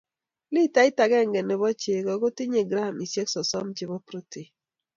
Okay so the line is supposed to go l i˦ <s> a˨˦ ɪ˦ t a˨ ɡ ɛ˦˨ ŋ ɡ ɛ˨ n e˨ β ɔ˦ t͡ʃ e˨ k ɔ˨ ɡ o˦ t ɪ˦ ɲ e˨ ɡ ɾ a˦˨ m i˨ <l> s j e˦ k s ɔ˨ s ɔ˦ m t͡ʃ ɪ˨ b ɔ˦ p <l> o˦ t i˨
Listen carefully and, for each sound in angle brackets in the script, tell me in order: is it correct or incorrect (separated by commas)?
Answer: incorrect, incorrect, incorrect